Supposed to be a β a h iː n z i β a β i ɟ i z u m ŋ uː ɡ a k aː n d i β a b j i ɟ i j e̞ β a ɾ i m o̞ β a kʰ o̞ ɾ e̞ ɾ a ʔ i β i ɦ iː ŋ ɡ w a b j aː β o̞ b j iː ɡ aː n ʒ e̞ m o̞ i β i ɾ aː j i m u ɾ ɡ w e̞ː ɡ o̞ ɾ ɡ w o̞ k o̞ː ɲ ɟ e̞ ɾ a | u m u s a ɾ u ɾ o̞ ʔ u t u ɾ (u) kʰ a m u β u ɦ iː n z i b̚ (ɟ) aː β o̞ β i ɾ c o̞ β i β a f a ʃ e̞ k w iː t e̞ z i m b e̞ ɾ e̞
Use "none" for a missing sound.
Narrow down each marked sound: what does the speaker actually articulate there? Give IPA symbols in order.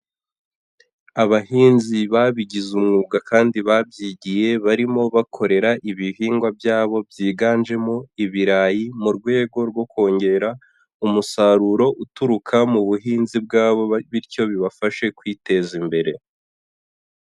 u, ɡ

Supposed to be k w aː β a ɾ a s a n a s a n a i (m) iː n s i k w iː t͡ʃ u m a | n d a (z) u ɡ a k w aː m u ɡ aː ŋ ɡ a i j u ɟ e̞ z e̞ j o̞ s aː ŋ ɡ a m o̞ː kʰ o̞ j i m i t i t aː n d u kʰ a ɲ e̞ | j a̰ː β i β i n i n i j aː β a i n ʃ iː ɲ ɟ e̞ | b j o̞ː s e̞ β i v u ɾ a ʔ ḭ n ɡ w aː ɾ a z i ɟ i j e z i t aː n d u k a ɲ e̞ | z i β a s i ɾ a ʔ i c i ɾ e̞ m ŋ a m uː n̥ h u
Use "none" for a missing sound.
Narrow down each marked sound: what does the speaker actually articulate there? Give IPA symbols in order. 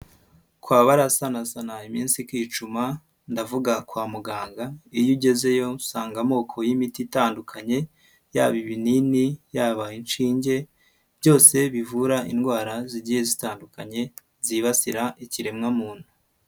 m, v

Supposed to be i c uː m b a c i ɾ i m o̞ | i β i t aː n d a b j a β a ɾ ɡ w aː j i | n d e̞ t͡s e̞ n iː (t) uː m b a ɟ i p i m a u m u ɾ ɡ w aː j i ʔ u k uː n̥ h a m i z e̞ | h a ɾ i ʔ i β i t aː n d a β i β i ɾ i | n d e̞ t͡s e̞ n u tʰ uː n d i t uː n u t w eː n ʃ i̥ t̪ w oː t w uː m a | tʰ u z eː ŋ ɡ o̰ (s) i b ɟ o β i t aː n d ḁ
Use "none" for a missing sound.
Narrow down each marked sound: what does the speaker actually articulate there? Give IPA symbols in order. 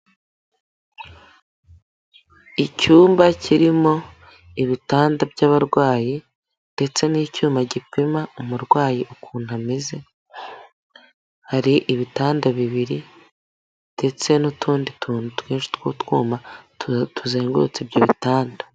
c, t͡s

